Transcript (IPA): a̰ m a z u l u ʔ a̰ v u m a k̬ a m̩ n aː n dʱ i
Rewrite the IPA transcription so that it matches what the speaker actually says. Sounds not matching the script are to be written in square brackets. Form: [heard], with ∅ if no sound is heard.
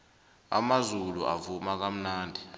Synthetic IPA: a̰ m a z u l u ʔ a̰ v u m a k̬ a m̩ n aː n dʱ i